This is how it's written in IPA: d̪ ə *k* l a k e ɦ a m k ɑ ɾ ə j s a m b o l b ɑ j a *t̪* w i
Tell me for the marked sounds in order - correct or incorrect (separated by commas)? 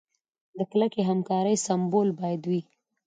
correct, incorrect